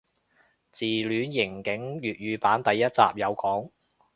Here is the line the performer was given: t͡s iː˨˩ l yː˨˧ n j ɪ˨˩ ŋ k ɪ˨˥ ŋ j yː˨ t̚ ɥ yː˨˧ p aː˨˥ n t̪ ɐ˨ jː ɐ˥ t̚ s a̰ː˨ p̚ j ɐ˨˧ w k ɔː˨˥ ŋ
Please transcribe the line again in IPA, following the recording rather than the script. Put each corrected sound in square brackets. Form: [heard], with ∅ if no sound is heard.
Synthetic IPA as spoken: t͡s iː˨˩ l yː˨˧ n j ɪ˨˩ ŋ k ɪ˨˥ ŋ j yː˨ t̚ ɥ yː˨˧ p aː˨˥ n t̪ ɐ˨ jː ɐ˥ t̚ [t͡s] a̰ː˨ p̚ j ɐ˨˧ w k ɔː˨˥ ŋ